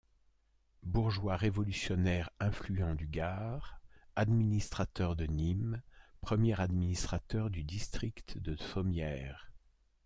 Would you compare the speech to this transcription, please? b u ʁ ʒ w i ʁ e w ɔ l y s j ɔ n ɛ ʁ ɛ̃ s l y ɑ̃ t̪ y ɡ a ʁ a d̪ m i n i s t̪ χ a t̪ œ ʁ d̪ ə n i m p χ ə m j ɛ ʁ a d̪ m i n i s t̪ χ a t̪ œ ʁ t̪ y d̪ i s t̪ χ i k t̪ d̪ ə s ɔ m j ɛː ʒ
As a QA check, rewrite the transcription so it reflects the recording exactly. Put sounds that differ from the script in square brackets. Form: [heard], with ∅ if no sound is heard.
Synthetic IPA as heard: b u ʁ ʒ w [a] ʁ e [v] ɔ l y s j ɔ n ɛ ʁ ɛ̃ [f] l y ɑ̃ [d̪] y ɡ a ʁ a d̪ m i n i s t̪ χ a t̪ œ ʁ d̪ ə n i m p χ ə m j ɛ ʁ a d̪ m i n i s t̪ χ a t̪ œ ʁ [d̪] y d̪ i s t̪ χ i k t̪ d̪ ə s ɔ m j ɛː [ʁ]